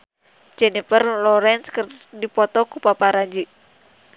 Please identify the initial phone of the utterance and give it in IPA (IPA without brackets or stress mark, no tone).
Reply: d͡ʒ